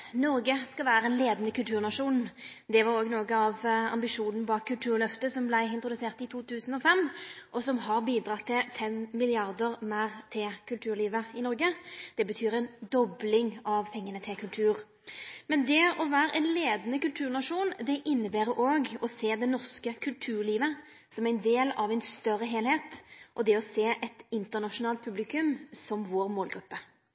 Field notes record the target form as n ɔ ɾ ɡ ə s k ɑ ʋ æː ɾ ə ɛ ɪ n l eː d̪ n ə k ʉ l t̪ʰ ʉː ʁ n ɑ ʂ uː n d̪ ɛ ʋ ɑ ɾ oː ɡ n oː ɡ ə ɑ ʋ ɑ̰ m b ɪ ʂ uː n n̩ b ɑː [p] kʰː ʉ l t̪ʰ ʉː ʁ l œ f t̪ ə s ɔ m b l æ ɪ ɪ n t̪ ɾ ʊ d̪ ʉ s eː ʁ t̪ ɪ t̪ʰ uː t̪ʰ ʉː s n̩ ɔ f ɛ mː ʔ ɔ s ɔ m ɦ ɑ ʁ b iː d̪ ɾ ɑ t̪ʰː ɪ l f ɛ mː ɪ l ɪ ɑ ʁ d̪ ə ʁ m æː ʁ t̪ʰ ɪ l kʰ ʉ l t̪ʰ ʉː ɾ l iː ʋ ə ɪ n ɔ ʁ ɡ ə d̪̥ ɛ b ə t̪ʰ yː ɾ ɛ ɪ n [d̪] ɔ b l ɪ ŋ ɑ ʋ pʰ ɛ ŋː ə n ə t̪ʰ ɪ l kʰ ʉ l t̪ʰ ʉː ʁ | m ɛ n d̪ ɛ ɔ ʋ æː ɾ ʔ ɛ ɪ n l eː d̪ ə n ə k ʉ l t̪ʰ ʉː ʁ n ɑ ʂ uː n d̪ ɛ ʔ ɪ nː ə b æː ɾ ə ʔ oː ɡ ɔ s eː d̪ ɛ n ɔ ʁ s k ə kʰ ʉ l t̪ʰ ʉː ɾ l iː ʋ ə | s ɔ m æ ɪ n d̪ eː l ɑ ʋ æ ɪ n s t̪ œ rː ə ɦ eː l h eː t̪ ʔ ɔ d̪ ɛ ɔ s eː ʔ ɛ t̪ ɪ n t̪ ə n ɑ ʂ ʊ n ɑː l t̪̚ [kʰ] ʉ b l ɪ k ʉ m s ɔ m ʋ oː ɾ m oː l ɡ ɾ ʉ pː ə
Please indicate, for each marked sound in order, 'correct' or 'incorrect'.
incorrect: k, correct, incorrect: pʰ

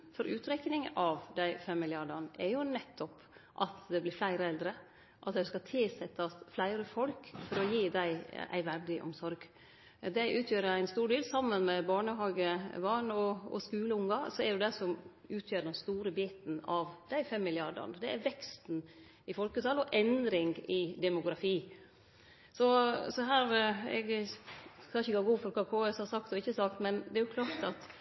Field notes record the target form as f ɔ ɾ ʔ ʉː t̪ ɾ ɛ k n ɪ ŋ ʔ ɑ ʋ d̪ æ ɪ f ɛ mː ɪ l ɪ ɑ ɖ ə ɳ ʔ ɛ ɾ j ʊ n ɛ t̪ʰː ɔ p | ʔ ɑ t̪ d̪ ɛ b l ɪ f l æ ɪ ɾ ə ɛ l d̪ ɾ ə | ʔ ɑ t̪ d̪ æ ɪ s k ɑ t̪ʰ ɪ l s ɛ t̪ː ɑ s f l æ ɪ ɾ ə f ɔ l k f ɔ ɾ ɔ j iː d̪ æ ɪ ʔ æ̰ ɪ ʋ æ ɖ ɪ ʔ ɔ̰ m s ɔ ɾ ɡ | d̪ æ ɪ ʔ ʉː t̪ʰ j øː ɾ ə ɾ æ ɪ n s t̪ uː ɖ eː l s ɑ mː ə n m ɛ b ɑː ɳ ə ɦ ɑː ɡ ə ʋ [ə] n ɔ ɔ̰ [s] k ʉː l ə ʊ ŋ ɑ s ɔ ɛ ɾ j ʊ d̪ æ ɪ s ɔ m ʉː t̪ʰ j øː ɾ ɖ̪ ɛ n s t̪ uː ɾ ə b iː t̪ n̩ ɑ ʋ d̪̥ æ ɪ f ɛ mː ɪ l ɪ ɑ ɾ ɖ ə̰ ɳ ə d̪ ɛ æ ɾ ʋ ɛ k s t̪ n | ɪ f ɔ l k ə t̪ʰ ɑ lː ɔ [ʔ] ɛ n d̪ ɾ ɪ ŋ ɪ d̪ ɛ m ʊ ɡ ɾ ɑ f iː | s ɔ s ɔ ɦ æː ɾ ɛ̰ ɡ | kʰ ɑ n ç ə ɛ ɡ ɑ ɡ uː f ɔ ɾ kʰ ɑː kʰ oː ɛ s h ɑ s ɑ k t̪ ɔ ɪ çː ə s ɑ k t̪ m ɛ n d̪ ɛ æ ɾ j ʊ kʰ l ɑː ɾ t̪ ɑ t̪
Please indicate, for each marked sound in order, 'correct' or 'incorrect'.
incorrect: ɑ, correct, correct

